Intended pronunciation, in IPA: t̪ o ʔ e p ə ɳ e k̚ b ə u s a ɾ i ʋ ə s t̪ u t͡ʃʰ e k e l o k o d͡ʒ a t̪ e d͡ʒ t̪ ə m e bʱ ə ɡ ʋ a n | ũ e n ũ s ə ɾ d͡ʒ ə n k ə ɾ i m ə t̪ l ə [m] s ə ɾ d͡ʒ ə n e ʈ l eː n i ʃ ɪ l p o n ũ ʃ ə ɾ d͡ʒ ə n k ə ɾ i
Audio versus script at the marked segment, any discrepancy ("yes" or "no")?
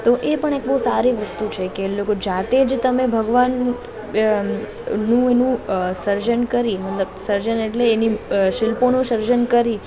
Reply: yes